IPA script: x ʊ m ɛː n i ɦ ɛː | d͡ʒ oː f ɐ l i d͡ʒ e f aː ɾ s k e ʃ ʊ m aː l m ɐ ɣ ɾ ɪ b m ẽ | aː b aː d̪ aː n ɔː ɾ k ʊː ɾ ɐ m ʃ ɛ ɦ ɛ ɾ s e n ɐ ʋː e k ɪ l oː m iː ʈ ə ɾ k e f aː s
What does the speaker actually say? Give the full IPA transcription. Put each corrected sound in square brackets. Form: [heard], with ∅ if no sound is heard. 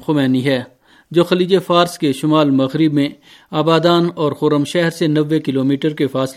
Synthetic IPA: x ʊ m ɛː n i ɦ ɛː | d͡ʒ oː [x] ɐ l [iː] d͡ʒ e f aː ɾ s k e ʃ ʊ m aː l m ɐ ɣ ɾ ɪ b m ẽ | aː b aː d̪ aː n ɔː ɾ [x] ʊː ɾ [ə] m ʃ ɛ ɦ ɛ ɾ s e n ɐ ʋː e k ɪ l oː m iː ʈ ə ɾ k e f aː s